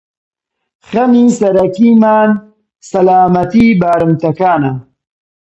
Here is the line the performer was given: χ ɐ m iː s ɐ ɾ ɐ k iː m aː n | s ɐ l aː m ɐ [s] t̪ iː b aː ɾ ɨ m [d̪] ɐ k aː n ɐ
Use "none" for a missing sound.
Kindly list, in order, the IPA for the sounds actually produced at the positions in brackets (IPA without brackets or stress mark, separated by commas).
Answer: none, t̪